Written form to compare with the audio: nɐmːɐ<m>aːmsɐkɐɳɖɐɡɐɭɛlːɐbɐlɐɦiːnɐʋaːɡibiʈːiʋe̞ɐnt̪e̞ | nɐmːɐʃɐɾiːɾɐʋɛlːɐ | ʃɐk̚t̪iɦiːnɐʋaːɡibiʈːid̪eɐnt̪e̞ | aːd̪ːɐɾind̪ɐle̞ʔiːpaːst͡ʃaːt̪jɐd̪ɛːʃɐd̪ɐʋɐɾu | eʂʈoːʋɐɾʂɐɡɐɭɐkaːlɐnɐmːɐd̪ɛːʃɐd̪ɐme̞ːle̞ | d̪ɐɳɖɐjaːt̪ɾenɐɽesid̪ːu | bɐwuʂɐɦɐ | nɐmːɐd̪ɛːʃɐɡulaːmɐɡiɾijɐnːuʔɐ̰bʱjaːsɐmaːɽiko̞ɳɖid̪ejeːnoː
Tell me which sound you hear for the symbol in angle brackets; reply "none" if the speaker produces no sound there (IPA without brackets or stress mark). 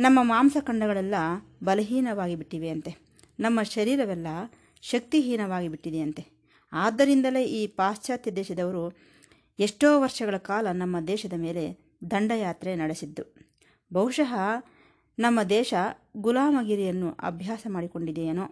m